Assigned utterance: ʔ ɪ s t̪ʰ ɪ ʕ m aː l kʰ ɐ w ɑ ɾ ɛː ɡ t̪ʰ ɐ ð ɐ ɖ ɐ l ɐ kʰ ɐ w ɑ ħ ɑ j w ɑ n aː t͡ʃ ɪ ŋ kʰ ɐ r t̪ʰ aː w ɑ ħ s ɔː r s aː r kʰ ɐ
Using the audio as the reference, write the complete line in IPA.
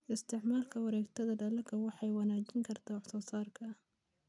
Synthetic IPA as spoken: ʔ ɪ s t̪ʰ ɪ ʕ m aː l kʰ ɐ w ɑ ɾ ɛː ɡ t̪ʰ ɐ ð ɐ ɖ ɐ l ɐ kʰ ɐ w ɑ ħ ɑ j w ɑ n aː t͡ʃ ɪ ŋ kʰ ɐ r t̪ʰ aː w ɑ ħ s ɔː s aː r kʰ ɐ